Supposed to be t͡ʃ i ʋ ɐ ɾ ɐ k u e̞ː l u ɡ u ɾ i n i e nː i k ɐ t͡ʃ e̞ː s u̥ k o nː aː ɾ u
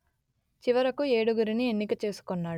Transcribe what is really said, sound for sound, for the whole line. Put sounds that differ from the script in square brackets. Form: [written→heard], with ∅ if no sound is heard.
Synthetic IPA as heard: t͡ʃ i ʋ ɐ ɾ ɐ k u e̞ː [l→ɽ] u ɡ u ɾ i n i e nː i k ɐ t͡ʃ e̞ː s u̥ k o nː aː [ɾ→ɽ] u